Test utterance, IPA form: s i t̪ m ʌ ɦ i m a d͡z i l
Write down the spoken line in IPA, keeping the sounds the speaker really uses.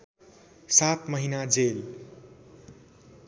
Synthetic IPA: s a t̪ m ʌ ɦ i n a d͡z e l